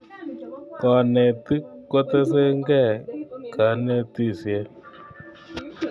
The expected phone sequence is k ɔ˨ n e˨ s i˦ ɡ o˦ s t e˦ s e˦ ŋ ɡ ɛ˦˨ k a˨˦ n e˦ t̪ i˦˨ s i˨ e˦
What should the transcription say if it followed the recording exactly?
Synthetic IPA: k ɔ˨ n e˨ t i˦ k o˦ t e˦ s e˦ ŋ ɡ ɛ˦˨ k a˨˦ n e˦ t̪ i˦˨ s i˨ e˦